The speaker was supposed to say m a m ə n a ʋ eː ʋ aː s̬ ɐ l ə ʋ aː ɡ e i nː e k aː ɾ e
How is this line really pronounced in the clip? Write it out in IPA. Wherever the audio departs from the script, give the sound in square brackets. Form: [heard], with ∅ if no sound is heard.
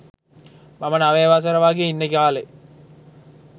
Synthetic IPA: m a m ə n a ʋ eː ʋ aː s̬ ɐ [ɾ] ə ʋ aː ɡ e i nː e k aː [l] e